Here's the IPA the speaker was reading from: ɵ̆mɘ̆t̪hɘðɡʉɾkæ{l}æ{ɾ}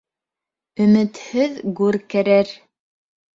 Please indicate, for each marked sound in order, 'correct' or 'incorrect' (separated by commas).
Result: incorrect, correct